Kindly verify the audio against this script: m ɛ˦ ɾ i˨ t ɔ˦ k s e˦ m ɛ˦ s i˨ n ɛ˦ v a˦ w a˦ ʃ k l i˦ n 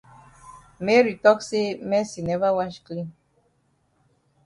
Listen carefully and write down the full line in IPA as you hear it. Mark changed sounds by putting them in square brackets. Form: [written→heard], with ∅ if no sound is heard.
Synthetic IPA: m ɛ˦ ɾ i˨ t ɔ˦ k s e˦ m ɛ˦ s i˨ n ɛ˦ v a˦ w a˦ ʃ k l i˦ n